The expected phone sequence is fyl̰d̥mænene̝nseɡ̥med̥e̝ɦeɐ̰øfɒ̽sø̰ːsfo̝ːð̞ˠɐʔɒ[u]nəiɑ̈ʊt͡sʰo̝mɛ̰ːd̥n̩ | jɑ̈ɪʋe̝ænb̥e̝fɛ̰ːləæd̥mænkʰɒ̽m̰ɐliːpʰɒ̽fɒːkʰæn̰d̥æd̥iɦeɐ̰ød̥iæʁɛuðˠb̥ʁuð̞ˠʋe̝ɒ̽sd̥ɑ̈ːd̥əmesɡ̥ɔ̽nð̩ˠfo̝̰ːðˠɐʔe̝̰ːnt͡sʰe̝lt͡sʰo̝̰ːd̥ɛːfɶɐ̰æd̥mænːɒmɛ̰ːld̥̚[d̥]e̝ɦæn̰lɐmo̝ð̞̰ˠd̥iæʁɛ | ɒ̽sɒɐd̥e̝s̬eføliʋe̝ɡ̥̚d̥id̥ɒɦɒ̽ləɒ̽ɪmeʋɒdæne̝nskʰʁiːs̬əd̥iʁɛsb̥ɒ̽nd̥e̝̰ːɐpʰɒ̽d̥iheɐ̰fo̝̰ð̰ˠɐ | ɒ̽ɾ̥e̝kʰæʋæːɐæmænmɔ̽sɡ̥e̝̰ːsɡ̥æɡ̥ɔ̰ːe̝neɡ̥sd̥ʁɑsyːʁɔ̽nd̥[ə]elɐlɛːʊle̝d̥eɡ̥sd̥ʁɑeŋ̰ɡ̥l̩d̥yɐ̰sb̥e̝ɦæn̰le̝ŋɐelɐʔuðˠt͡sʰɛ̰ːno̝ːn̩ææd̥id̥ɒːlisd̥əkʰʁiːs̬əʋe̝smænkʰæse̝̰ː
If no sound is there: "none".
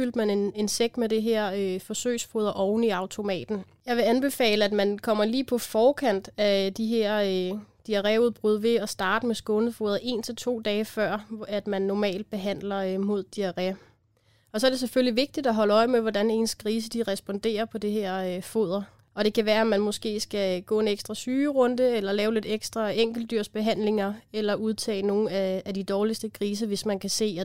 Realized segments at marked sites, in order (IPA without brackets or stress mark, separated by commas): ʊ, b̥, ə